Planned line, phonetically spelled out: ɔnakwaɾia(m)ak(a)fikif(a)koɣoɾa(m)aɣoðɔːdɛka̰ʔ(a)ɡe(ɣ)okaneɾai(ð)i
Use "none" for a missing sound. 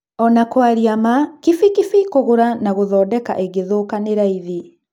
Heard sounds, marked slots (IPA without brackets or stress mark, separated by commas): m, i, i, n, e, ð, ð